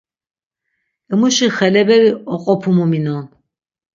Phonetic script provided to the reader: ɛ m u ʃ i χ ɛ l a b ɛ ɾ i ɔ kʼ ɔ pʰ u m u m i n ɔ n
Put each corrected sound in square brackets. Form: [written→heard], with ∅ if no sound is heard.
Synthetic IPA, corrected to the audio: ɛ m u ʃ i χ ɛ l [a→ɛ] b ɛ ɾ i ɔ [kʼ→qʼ] ɔ pʰ u m u m i n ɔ n